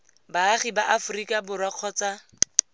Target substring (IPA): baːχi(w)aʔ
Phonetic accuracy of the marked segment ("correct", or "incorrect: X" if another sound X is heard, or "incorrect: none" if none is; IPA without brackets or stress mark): incorrect: b